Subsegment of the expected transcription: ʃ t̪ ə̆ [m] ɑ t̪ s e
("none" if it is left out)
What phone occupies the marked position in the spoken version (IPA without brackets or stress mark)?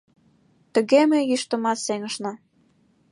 m